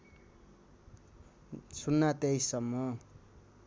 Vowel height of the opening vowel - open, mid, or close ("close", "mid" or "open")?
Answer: close